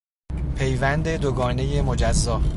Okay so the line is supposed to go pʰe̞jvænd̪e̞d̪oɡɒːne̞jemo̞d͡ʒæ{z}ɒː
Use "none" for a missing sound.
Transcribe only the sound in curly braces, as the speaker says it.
zː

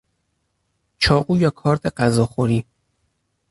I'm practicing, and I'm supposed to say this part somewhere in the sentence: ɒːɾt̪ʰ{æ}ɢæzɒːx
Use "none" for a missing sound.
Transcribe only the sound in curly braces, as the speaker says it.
e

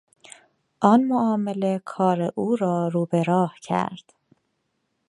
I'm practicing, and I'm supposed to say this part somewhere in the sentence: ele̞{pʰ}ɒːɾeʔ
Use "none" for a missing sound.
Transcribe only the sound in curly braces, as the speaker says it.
kʰ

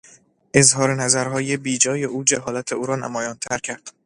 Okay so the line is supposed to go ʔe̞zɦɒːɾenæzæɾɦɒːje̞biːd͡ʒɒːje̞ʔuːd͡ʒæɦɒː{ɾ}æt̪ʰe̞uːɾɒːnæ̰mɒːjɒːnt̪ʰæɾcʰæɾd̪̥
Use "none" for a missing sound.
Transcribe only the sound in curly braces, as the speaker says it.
l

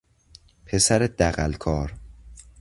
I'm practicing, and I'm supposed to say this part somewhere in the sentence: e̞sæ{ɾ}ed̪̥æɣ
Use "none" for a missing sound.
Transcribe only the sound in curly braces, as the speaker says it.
ɾ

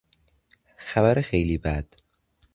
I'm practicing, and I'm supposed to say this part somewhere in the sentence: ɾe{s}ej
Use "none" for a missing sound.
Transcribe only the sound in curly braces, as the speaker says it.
x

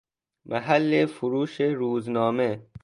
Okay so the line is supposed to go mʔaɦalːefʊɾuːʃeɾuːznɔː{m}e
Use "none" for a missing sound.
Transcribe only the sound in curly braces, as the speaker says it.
m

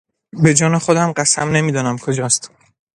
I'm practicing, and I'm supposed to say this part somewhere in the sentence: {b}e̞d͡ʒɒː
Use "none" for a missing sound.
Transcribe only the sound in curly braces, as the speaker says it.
b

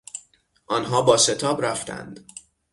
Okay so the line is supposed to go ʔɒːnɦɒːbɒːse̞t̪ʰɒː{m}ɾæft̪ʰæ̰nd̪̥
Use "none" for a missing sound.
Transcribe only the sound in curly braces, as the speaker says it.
b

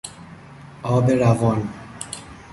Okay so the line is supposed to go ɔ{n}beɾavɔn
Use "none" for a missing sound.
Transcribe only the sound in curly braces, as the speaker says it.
none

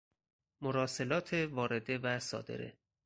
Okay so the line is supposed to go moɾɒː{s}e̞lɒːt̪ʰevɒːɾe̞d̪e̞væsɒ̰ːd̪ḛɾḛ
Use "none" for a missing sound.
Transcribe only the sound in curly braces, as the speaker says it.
s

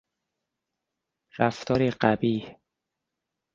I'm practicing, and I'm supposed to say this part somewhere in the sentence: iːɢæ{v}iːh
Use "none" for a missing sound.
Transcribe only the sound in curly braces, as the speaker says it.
b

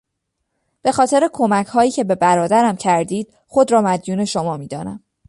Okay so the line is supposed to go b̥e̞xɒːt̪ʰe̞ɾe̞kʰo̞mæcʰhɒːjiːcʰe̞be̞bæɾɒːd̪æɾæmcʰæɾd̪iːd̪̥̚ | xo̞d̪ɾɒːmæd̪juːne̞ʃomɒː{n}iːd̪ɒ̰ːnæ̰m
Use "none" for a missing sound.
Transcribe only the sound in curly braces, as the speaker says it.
m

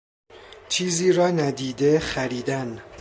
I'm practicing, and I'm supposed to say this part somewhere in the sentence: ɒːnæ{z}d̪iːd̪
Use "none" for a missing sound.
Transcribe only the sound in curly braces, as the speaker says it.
none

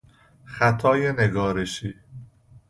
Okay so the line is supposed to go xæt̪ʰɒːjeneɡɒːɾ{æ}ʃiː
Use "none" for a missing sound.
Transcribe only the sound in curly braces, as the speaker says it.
e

